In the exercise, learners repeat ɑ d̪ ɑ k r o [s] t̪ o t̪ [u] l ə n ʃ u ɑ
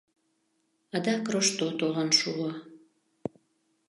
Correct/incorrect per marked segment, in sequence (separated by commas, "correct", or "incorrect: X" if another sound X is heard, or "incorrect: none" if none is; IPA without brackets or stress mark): incorrect: ʃ, incorrect: o